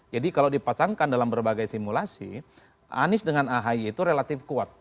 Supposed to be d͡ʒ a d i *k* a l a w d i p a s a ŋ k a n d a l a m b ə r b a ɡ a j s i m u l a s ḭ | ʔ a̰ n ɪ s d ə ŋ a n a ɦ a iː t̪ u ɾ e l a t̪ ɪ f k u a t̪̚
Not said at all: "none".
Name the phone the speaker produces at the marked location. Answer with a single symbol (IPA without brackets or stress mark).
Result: k